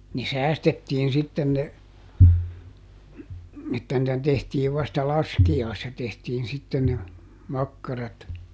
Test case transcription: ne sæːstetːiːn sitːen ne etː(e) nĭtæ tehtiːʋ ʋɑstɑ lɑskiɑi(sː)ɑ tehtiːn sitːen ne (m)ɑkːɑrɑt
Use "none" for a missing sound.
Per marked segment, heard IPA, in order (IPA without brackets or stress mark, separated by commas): æ, sː, m